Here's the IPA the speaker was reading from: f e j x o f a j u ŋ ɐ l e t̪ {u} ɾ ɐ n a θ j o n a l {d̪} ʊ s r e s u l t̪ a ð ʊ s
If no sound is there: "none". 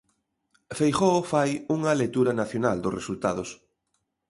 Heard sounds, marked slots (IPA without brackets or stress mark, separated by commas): u, d̪